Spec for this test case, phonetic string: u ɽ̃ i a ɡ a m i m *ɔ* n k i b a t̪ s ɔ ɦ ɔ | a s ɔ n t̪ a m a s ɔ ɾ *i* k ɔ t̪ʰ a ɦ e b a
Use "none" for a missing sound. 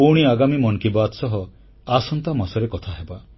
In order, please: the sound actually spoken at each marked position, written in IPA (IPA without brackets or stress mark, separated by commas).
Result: ɔ, e